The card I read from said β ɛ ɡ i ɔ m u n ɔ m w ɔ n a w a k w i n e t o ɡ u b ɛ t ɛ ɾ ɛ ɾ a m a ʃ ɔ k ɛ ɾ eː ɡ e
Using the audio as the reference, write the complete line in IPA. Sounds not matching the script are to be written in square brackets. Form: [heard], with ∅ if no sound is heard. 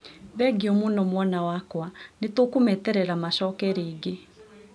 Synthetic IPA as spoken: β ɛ ɡ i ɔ m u n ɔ m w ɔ n a w a k w [a] n e t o [k] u [m] ɛ t ɛ ɾ ɛ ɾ a m a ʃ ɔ k ɛ ɾ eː ɡ e